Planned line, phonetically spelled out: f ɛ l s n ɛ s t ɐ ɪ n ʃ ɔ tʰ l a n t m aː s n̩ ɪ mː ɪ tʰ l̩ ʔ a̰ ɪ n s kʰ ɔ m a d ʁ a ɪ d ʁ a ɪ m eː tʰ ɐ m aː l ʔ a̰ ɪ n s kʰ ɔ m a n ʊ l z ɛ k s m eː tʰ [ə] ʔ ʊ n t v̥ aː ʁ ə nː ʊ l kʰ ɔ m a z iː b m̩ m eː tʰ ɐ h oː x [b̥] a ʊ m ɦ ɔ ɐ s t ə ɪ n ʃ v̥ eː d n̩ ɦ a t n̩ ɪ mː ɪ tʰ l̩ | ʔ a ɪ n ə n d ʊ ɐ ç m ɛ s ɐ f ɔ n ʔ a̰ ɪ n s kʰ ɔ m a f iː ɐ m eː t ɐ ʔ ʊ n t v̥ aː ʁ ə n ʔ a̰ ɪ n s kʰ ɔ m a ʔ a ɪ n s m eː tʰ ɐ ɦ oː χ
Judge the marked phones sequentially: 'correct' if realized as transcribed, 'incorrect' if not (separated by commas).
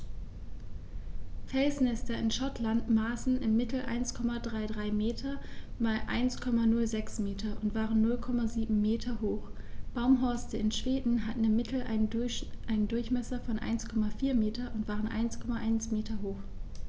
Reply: incorrect, correct